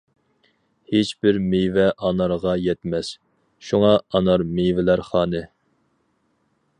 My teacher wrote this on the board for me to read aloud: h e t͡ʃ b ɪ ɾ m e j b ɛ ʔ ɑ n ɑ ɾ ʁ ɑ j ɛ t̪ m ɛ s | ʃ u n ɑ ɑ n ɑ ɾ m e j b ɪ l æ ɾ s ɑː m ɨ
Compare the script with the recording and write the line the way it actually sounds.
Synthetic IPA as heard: h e t͡ʃ b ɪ ɾ m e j v ɛ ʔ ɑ n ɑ ɾ ʁ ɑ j ɛ t̪ m ɛ s | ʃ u ŋ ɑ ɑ n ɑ ɾ m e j v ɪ l æ ɾ χ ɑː n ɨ